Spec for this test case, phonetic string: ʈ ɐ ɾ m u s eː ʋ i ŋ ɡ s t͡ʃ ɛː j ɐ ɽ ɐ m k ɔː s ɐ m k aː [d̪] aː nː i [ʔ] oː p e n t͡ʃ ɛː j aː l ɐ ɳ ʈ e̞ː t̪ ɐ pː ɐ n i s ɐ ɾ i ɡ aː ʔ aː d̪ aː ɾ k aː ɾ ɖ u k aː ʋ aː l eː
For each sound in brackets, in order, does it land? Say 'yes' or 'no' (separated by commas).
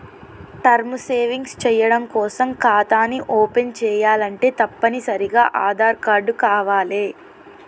no, yes